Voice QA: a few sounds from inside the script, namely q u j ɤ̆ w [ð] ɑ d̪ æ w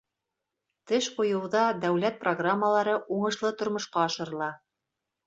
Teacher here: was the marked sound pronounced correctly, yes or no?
yes